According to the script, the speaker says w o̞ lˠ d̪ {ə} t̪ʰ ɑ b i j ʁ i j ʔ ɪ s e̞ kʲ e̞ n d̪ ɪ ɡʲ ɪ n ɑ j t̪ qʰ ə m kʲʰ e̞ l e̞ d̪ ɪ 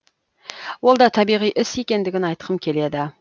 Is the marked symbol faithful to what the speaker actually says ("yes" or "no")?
no